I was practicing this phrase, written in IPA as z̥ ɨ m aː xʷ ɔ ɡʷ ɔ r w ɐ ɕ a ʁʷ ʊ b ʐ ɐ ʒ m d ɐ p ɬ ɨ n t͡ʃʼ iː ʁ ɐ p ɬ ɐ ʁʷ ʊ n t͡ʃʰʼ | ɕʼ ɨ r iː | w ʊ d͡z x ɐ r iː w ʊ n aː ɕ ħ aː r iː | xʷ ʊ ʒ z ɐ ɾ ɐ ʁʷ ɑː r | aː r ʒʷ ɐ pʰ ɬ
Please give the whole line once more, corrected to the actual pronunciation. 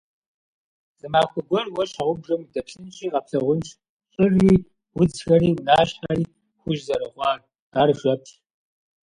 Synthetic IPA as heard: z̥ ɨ m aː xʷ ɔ ɡʷ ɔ r w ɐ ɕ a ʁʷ ʊ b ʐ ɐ m d ɐ p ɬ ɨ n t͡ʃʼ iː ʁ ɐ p ɬ ɐ ʁʷ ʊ n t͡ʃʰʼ | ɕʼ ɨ r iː | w ʊ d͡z x ɐ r iː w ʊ n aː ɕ ħ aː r iː | xʷ ʊ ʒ z ɐ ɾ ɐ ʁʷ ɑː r | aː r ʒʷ ɐ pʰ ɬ